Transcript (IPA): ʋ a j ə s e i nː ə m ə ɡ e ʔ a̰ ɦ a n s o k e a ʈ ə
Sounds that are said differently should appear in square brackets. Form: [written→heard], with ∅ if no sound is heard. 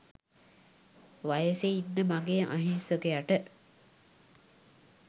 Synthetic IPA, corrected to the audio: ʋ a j ə s e i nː ə m [ə→a] ɡ e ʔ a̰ ɦ [a→i] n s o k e a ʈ ə